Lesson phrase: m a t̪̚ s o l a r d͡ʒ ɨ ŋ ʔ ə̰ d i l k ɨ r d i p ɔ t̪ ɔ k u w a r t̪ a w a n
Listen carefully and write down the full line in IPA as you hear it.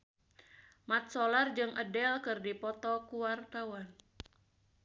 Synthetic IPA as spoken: m a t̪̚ s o l a r d͡ʒ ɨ ŋ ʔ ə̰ d ɛ l k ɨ r d i p ɔ t̪ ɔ k u w a r t̪ a w a n